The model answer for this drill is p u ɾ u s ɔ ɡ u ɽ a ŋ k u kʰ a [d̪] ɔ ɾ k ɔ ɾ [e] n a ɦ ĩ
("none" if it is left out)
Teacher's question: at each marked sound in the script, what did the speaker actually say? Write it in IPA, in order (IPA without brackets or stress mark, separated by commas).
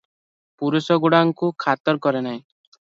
t̪, e